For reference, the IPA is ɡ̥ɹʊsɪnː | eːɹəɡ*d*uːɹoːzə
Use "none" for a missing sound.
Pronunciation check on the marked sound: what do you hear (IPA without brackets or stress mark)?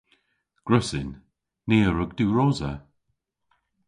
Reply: d